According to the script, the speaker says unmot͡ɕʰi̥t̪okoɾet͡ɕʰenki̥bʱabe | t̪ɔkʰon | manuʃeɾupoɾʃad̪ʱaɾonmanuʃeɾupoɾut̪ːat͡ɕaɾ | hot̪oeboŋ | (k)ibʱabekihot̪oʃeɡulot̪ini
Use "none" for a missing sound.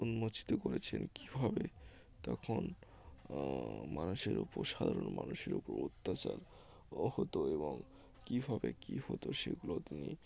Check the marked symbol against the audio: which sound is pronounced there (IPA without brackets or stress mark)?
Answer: k